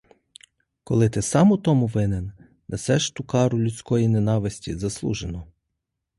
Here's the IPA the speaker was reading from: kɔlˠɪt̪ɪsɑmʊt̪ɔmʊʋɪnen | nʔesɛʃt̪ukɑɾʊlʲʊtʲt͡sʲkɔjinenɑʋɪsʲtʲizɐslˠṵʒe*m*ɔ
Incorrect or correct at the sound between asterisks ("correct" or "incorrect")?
incorrect